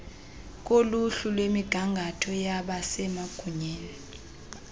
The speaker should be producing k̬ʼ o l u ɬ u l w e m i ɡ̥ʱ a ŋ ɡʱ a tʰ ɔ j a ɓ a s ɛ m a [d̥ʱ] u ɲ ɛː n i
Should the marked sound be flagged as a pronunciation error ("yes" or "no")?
yes